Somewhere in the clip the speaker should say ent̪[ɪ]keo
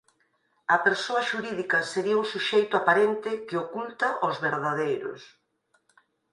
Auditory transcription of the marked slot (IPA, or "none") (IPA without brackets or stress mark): ɪ